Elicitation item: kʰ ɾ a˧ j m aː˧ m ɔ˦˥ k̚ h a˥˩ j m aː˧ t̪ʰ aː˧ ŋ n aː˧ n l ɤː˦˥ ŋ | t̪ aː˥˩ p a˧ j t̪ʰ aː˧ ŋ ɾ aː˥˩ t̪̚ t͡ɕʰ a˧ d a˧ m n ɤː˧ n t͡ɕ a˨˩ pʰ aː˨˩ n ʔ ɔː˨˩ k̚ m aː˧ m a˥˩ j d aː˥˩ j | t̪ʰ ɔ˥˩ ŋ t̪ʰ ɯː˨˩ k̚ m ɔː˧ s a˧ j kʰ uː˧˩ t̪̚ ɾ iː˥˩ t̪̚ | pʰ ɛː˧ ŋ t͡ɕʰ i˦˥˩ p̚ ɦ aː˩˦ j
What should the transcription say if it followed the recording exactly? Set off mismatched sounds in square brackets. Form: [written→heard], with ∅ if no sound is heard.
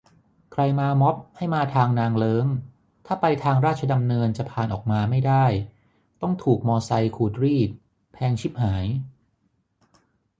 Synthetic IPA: kʰ ɾ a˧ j m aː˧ m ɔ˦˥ [k̚→p̚] h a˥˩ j m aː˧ t̪ʰ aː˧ ŋ n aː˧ [n→ŋ] l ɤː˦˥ ŋ | [t̪→t̪ʰ] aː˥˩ p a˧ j t̪ʰ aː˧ ŋ ɾ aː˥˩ t̪̚ t͡ɕʰ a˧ d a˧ m n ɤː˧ n t͡ɕ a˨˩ pʰ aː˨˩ n ʔ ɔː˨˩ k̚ m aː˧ m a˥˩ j d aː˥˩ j | [t̪ʰ→t̪] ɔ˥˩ ŋ t̪ʰ [ɯː˨˩→uː˨˩] k̚ m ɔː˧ s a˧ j kʰ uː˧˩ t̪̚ ɾ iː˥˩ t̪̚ | pʰ ɛː˧ ŋ t͡ɕʰ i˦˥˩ p̚ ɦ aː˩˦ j